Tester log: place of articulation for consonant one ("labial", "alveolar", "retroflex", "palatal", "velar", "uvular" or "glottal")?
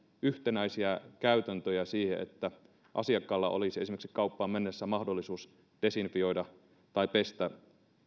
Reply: glottal